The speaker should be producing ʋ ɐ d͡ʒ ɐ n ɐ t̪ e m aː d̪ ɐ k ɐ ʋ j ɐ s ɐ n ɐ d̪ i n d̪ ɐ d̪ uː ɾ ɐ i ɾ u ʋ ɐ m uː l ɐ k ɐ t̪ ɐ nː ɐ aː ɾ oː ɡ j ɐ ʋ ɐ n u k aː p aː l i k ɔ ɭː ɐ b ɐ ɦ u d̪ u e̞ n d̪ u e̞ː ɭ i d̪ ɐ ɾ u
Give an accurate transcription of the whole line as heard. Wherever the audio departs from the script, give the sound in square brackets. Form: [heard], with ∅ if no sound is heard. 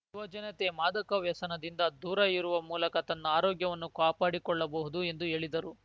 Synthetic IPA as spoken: ʋ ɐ d͡ʒ ɐ n ɐ t̪ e m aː d̪ ɐ k ɐ ʋ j ɐ s ɐ n ɐ d̪ i n d̪ ɐ d̪ uː ɾ ɐ i ɾ u ʋ ɐ m uː l ɐ k ɐ t̪ ɐ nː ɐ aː ɾ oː ɡ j ɐ ʋ ɐ [nː] u k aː p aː [ɽ] i k ɔ ɭː ɐ b ɐ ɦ u d̪ u e̞ n d̪ u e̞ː ɭ i d̪ ɐ ɾ u